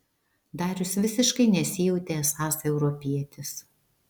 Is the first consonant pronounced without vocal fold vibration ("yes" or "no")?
no